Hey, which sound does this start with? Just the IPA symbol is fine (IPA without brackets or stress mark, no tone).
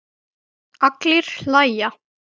a